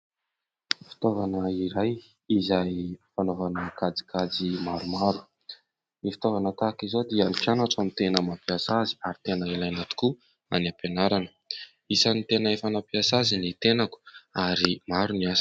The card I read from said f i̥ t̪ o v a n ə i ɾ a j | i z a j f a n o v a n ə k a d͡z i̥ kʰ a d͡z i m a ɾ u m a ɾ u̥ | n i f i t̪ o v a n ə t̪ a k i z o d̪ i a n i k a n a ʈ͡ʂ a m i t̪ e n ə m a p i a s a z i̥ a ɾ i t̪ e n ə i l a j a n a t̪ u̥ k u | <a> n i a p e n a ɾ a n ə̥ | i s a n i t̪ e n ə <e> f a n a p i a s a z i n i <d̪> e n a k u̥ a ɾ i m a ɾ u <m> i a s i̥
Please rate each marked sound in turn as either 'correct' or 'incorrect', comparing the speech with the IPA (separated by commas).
correct, correct, incorrect, incorrect